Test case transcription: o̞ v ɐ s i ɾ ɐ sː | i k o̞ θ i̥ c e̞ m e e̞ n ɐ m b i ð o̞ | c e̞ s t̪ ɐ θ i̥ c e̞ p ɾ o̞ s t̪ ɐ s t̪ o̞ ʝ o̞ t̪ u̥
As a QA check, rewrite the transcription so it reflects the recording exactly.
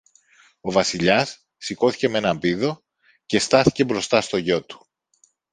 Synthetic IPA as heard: o̞ v ɐ s i ʎ ɐ sː | i k o̞ θ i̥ c e̞ m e e̞ n ɐ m b i ð o̞ | c e̞ s t̪ ɐ θ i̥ c e̞ b ɾ o̞ s t̪ ɐ s t̪ o̞ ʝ o̞ t̪ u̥